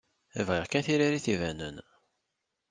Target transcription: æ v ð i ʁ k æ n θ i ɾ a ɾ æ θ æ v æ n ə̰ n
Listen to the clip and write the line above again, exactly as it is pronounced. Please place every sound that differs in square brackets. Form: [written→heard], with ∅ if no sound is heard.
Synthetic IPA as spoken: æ v [ð→ʁ] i ʁ k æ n θ i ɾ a ɾ [æ→i] θ [æ→i] v æ n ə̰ n